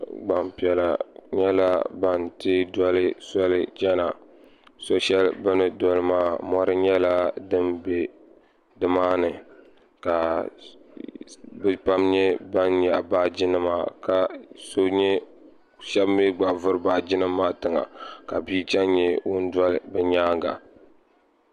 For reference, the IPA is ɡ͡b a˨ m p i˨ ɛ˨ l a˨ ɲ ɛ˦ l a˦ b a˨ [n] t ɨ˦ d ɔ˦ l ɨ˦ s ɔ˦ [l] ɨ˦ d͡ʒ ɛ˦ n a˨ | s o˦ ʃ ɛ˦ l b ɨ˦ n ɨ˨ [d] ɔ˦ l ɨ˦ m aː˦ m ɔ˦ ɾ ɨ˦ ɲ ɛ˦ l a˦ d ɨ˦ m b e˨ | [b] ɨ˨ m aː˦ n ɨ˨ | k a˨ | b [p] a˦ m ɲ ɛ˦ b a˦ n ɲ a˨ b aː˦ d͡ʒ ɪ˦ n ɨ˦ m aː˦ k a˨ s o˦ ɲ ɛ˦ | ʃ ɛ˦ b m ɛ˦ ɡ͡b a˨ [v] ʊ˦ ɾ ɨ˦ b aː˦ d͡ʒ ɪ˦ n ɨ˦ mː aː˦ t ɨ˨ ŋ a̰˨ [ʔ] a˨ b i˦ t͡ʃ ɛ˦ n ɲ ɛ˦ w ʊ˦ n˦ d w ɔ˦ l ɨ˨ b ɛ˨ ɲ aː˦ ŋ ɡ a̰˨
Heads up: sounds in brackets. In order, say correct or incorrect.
correct, correct, correct, incorrect: d, correct, correct, incorrect: k

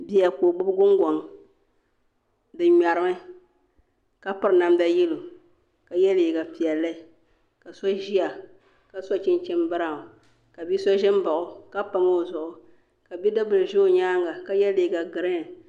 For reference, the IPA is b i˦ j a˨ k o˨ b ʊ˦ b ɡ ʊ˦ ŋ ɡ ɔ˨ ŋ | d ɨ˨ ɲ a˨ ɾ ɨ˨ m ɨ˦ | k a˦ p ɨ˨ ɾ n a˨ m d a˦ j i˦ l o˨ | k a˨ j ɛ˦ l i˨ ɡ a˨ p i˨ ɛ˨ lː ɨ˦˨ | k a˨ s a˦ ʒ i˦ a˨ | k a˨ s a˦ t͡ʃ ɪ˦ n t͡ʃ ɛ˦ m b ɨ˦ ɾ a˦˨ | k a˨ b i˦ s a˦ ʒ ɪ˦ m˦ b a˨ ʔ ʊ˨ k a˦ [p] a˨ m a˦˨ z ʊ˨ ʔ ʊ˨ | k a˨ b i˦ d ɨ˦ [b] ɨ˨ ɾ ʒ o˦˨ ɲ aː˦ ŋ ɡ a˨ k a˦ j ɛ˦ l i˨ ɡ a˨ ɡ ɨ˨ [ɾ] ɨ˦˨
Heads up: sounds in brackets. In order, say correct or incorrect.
correct, correct, correct

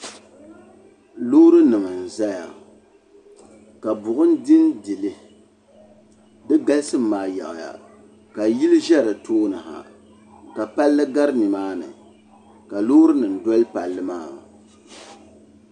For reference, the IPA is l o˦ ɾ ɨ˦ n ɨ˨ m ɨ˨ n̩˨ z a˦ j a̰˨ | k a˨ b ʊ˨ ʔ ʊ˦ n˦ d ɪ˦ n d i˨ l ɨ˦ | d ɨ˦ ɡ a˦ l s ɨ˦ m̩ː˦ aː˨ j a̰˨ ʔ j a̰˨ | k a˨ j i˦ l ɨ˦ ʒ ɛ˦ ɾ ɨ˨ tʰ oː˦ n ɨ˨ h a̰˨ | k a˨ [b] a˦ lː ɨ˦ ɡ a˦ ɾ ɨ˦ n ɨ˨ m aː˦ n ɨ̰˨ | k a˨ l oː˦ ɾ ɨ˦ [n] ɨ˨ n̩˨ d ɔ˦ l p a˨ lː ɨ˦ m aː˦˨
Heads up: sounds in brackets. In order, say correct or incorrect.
incorrect: p, correct

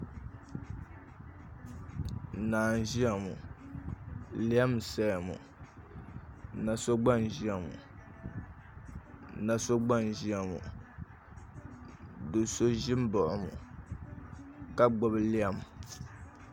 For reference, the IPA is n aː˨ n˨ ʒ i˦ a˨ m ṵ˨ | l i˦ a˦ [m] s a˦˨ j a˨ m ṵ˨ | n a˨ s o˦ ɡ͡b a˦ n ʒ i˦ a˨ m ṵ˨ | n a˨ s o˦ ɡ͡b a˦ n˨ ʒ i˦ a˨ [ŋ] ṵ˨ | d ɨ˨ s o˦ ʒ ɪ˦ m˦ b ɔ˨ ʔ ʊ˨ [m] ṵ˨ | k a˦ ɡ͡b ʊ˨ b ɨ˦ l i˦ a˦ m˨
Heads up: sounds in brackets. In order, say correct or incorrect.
correct, incorrect: m, correct

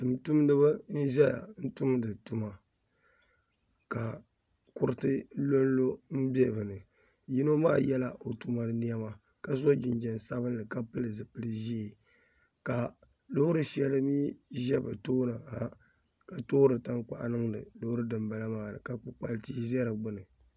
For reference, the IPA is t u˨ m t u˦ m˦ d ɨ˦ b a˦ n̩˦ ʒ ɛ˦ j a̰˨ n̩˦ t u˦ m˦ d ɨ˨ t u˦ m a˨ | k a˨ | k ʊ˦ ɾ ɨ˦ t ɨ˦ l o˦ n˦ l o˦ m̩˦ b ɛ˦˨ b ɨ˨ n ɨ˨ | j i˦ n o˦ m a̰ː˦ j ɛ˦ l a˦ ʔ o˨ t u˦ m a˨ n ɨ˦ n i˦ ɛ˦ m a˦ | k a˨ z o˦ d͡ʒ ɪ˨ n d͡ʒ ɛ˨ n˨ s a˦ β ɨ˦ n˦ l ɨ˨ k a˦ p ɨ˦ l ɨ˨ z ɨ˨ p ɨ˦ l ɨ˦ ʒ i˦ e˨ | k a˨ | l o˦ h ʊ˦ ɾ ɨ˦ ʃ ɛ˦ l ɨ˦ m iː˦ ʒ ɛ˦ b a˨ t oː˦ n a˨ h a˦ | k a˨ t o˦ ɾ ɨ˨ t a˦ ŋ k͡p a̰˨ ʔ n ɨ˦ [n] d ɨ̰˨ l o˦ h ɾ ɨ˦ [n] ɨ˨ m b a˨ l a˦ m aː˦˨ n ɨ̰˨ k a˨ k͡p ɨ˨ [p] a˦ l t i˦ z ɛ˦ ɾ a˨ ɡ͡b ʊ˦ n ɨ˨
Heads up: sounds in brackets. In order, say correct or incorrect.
incorrect: ŋ, incorrect: d, incorrect: k͡p

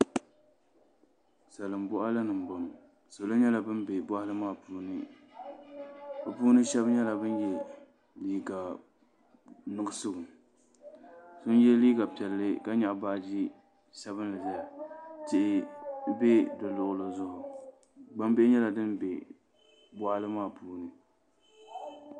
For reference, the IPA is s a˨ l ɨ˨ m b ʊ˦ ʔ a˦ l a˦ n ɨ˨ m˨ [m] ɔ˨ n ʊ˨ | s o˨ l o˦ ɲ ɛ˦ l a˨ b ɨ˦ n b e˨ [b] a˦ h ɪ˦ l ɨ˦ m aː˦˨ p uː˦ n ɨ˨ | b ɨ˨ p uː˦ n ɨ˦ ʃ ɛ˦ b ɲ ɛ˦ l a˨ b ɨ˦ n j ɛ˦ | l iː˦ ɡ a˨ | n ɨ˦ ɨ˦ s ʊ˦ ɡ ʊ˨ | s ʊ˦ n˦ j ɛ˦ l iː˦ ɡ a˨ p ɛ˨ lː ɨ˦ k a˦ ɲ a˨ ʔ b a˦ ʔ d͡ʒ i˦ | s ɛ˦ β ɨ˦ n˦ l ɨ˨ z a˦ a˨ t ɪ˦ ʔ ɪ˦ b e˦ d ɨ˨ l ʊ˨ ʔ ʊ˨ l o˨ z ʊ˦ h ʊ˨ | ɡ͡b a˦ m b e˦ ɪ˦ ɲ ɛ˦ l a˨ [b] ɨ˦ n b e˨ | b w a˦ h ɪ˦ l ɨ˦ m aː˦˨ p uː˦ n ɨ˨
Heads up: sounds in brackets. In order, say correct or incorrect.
incorrect: b, correct, incorrect: d

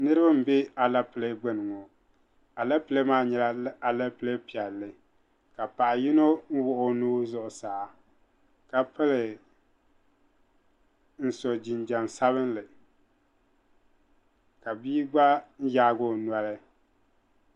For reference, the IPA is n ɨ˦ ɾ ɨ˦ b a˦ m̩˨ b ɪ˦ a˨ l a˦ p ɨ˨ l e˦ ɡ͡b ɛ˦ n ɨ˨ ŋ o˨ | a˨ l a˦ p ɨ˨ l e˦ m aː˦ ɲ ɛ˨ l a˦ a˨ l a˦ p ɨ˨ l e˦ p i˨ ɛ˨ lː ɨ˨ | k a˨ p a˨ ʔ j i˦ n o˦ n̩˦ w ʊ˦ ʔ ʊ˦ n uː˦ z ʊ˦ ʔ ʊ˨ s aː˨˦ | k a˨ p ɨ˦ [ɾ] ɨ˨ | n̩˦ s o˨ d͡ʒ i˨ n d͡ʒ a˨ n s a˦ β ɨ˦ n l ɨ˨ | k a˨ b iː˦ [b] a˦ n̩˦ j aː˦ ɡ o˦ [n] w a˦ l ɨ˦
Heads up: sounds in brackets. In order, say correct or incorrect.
incorrect: l, incorrect: ɡ͡b, correct

